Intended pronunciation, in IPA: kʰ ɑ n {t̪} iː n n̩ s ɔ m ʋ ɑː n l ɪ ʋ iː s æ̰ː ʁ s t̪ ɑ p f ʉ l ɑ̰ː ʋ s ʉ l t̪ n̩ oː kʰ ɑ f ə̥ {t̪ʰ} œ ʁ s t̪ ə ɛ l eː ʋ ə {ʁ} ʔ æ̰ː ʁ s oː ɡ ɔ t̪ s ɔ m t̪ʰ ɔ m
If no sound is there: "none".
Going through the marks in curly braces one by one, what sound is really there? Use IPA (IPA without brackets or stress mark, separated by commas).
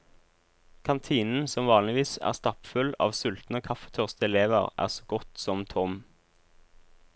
t̪ʰ, t̪ʰ, ʁ